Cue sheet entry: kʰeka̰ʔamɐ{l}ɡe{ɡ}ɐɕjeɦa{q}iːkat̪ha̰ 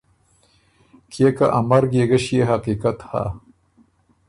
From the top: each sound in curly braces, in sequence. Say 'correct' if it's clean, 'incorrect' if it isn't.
incorrect, correct, correct

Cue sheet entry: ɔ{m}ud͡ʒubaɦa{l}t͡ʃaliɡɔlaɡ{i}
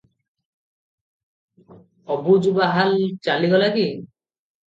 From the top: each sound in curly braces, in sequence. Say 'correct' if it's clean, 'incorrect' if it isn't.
incorrect, correct, correct

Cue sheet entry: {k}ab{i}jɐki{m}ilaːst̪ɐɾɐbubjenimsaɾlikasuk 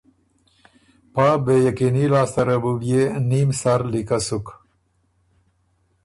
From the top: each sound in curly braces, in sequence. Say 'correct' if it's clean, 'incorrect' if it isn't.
incorrect, incorrect, incorrect

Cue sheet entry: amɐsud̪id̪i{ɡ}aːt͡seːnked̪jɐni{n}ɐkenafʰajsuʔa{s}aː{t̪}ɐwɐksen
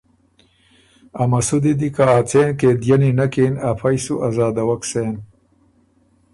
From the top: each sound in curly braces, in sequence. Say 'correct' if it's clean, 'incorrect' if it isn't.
incorrect, correct, incorrect, incorrect

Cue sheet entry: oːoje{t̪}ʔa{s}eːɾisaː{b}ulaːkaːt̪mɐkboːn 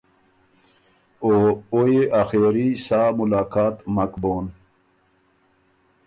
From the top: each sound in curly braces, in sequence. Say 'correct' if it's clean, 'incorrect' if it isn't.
incorrect, incorrect, incorrect

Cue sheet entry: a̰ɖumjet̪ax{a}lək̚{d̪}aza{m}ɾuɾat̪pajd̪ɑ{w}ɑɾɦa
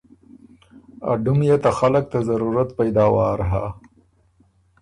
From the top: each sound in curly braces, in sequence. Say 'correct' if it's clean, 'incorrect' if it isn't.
correct, incorrect, incorrect, correct

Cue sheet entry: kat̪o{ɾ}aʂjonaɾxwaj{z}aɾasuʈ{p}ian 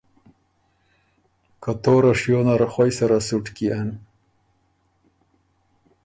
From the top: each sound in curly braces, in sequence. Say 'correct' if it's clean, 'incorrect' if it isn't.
correct, incorrect, incorrect

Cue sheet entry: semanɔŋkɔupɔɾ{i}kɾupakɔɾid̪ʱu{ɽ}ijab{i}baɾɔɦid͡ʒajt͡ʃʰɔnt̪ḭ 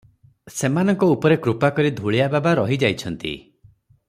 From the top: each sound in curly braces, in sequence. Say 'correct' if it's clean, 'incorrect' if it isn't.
incorrect, incorrect, incorrect

